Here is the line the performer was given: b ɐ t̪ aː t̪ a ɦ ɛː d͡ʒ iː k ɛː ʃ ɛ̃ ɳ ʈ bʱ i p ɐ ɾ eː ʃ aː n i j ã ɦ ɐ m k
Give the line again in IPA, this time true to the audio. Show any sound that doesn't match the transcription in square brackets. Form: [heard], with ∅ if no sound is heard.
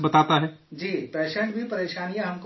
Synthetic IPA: b ɐ t̪ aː t̪ a ɦ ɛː d͡ʒ iː [p] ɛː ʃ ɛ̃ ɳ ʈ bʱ i p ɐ ɾ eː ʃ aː n i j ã ɦ ɐ m k

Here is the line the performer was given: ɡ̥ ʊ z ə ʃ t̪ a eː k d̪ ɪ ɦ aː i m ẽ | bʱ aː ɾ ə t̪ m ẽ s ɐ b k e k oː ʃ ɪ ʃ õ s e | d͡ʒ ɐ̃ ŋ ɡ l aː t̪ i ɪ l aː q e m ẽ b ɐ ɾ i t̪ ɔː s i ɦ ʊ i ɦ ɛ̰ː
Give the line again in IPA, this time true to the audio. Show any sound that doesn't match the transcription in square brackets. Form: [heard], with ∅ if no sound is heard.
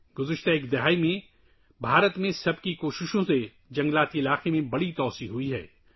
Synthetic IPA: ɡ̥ ʊ z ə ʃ t̪ a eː k d̪ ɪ ɦ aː i m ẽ | bʱ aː ɾ ə t̪ m ẽ s ɐ b k [i] k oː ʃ ɪ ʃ õ s e | d͡ʒ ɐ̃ ŋ ɡ l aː t̪ i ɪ l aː q e m ẽ b ɐ [ɽ] i t̪ ɔː s i ɦ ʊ i ɦ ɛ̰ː

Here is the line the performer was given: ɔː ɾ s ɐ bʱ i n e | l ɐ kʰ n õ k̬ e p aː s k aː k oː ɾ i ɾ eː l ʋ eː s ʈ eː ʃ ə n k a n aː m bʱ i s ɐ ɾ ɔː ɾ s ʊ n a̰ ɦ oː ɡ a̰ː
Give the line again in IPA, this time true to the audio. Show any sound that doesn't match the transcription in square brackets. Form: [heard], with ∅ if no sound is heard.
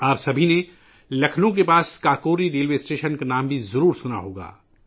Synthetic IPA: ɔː ɾ s ɐ bʱ i n e | l ɐ kʰ n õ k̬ e p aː s k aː k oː ɾ i ɾ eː l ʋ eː s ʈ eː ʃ ə n k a n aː m bʱ i [z] ɐ ɾ [uː] ɾ s ʊ n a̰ ɦ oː ɡ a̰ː

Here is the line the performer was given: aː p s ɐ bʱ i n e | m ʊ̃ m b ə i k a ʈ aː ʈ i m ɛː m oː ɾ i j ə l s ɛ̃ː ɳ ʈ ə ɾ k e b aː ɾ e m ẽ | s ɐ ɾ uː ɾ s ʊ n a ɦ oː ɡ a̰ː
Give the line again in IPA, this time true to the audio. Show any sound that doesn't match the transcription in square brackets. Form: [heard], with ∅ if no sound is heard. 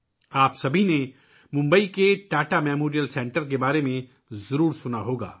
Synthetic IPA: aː p s ɐ bʱ i n e | m ʊ̃ m b ə i k [e] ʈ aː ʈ [a] m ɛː m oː ɾ i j ə l s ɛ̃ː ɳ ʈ ə ɾ k e b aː ɾ e m ẽ | [z] ɐ ɾ uː ɾ s ʊ n a ɦ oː ɡ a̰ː

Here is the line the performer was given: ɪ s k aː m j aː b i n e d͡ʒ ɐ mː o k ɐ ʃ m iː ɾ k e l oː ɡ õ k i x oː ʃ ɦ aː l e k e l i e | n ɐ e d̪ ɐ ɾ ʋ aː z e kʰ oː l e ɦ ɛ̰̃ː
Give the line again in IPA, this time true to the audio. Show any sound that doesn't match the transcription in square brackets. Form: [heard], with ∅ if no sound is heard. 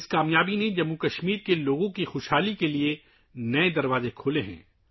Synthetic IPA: ɪ s k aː m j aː b i n e d͡ʒ ɐ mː [u] k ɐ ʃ m iː ɾ k e l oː ɡ õ k i x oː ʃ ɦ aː l [i] k e l i e | n ɐ e d̪ ɐ ɾ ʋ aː z e kʰ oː l e ɦ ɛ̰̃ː

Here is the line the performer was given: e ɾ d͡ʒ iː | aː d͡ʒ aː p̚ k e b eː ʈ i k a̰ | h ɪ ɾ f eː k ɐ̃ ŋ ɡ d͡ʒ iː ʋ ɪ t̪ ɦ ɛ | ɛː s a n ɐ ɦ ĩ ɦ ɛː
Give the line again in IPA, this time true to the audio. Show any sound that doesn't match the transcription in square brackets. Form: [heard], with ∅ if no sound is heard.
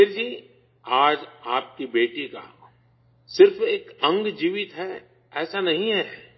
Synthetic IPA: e ɾ d͡ʒ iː | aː d͡ʒ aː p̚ k [i] b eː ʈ i k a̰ | [s] ɪ ɾ f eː k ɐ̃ ŋ ɡ d͡ʒ iː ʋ ɪ t̪ ɦ ɛ | ɛː s a n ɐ ɦ ĩ ɦ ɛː

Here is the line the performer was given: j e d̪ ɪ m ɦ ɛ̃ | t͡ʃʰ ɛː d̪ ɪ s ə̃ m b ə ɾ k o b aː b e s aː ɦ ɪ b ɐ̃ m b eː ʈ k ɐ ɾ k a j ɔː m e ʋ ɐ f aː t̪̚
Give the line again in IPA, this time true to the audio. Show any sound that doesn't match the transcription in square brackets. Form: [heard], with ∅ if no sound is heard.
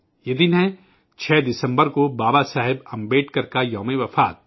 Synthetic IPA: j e d̪ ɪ [n] ɦ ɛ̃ | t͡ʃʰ ɛː d̪ ɪ s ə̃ m b ə ɾ k o b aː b [a] s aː ɦ ɪ b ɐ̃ m b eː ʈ k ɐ ɾ k a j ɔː m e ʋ ɐ f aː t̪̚

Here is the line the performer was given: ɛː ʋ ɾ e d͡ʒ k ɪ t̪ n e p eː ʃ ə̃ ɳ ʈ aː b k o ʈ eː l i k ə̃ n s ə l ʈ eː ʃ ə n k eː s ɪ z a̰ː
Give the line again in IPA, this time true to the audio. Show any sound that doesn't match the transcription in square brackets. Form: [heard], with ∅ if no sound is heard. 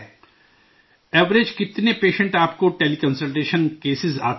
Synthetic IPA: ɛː ʋ ɾ e d͡ʒ k ɪ t̪ n e p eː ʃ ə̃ ɳ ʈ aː [p] k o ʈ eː l i k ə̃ n s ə l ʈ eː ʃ ə n k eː s ɪ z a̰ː

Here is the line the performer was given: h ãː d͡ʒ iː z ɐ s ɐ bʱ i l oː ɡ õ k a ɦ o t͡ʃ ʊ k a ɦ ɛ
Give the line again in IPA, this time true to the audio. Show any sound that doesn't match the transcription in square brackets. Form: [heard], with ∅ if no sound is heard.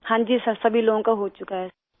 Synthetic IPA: h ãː d͡ʒ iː [s] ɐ s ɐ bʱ i l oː ɡ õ k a ɦ o t͡ʃ ʊ k a ɦ ɛ

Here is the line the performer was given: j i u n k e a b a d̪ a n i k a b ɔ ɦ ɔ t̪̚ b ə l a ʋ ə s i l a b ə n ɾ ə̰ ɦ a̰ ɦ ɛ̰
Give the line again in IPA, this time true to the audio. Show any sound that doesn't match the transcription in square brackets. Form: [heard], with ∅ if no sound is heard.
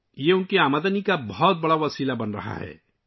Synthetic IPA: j [e] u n k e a [m] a d̪ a n i k a b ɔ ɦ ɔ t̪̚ b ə [ɽ] a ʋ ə s i l a b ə n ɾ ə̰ ɦ a̰ ɦ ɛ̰

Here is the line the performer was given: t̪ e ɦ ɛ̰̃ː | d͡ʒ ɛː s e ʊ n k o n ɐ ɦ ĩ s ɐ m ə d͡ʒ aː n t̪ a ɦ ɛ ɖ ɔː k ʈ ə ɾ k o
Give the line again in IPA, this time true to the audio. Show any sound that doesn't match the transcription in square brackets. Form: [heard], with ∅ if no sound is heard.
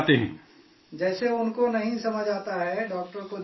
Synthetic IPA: t̪ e ɦ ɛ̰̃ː | d͡ʒ ɛː s e ʊ n k o n ɐ ɦ ĩ s ɐ m ə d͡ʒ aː [∅] t̪ a ɦ ɛ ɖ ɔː k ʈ ə ɾ k o

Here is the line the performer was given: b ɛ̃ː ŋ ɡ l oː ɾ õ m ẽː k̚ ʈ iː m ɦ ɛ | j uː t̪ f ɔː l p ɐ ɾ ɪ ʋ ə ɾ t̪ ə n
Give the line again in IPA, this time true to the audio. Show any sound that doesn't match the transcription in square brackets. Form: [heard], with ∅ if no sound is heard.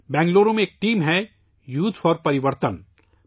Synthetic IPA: b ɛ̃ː ŋ ɡ l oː ɾ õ m ẽː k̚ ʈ iː m ɦ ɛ | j uː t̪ f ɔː [ɾ] p ɐ ɾ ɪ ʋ ə ɾ t̪ ə n

